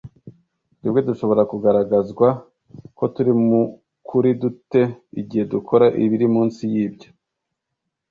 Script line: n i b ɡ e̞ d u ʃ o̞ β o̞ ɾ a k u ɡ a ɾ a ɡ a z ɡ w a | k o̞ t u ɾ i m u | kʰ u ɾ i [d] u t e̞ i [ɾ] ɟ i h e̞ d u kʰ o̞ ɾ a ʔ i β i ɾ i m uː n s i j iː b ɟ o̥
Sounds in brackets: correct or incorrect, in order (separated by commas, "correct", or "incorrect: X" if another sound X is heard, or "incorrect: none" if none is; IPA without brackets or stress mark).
correct, incorrect: none